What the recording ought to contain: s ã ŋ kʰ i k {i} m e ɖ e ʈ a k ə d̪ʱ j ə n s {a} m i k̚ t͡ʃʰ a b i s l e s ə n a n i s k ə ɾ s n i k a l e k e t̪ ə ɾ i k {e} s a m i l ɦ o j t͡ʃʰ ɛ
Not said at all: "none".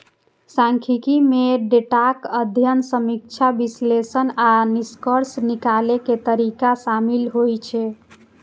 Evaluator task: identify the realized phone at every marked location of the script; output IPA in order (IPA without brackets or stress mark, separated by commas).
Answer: i, ə, a